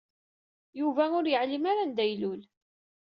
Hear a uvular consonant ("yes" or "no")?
no